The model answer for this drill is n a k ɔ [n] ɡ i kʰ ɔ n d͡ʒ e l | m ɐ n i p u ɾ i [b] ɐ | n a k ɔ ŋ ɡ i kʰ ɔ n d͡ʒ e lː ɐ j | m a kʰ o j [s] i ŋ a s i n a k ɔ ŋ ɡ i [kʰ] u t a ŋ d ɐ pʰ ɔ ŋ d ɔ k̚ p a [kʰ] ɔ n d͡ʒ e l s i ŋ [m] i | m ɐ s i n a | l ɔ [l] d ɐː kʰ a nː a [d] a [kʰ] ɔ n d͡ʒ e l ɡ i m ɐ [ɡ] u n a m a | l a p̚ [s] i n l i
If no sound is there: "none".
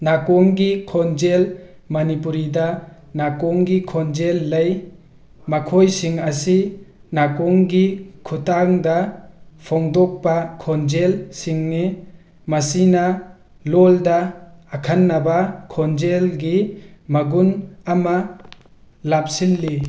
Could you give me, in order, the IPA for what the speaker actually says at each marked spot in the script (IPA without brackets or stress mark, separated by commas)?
ŋ, d, s, kʰ, kʰ, n, l, b, kʰ, ɡ, s